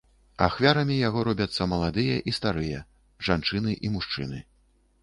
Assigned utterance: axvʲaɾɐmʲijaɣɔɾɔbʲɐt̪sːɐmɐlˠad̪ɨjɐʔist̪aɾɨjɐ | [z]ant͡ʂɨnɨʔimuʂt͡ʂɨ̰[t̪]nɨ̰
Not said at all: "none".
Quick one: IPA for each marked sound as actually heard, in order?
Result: ʐ, none

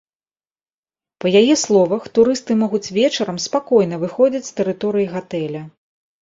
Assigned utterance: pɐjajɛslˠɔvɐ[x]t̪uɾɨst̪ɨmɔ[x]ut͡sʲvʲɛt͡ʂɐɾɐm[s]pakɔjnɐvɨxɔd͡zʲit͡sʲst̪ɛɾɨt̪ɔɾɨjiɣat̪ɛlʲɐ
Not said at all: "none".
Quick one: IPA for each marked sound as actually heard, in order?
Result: x, ɣ, s

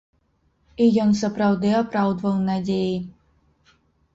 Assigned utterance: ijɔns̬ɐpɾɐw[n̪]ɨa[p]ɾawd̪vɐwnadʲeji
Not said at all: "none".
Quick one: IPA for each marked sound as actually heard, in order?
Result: d̪, p

